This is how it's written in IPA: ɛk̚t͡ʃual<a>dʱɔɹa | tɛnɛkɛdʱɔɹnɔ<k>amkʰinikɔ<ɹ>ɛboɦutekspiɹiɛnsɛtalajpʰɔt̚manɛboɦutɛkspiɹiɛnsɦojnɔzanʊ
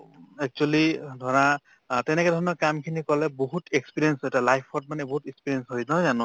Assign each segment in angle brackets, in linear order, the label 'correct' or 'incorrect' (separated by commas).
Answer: incorrect, correct, incorrect